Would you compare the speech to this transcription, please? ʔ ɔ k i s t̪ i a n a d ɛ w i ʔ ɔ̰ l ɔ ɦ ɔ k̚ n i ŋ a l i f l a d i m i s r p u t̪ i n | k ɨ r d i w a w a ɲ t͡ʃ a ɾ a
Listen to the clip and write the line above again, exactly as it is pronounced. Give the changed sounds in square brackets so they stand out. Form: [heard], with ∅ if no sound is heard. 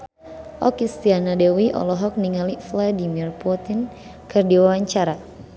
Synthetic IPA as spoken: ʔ ɔ k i s t̪ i a n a d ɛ w i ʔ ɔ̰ l ɔ ɦ ɔ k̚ n i ŋ a l i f l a d i m i [∅] r p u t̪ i n | k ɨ r d i w a w a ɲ t͡ʃ a ɾ a